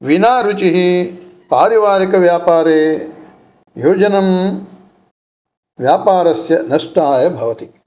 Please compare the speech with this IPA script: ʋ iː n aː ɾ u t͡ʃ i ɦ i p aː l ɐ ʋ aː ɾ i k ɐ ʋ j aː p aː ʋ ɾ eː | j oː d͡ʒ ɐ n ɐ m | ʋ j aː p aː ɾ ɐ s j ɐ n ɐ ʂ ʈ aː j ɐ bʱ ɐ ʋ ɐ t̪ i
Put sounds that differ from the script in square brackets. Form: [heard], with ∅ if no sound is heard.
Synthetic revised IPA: ʋ [i] n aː ɾ u t͡ʃ i ɦ i p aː [ɾ] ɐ ʋ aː ɾ i k ɐ ʋ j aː p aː [∅] ɾ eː | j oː d͡ʒ ɐ n ɐ m | ʋ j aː p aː ɾ ɐ s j ɐ n ɐ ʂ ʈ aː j ɐ bʱ ɐ ʋ ɐ t̪ i